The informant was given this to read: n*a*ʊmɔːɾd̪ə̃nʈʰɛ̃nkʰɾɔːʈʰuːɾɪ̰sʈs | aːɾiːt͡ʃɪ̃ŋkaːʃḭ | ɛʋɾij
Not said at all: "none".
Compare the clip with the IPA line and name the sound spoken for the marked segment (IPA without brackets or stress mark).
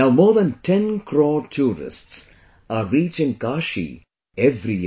a